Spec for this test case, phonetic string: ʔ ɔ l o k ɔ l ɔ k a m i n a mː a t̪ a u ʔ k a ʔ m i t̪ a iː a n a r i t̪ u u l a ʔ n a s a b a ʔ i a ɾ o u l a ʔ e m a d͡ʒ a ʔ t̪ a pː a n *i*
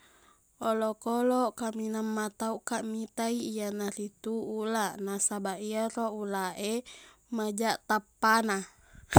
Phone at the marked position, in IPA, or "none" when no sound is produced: a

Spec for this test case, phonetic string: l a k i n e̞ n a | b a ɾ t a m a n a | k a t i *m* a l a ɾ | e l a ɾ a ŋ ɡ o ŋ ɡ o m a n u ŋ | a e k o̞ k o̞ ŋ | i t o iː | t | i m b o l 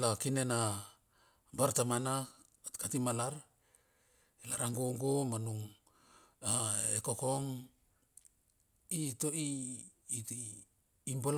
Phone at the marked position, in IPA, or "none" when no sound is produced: m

